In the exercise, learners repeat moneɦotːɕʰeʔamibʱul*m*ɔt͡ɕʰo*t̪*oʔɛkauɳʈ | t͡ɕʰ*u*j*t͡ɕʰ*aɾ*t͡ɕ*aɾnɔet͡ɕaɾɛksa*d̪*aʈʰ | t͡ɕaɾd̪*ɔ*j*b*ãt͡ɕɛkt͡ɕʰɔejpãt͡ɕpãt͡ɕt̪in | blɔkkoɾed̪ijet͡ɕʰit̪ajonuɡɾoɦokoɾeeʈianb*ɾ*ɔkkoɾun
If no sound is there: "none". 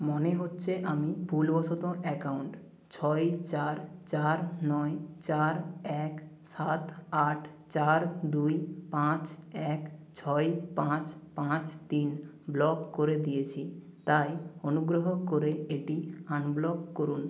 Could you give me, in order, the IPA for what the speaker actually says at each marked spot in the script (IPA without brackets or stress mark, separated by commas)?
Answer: b, t̪, ɔ, t͡ɕ, t͡ɕ, t̪, u, p, l